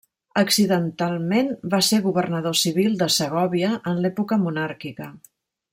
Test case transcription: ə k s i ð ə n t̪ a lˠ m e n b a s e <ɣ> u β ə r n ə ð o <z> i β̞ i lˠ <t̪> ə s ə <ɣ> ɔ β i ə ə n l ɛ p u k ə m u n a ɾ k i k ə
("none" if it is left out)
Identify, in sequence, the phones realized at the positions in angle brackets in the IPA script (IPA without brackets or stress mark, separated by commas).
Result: ɣ, s, d̪, ɣ